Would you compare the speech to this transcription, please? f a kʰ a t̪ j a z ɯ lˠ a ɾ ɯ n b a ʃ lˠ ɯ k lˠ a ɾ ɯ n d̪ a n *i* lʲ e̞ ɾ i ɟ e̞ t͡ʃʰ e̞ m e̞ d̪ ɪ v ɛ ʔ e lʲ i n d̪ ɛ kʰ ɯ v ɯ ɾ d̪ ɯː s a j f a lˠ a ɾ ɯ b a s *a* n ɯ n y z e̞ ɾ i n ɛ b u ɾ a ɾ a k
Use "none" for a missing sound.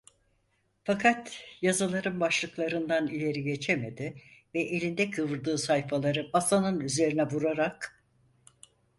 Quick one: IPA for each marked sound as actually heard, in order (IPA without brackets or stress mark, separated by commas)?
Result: i, a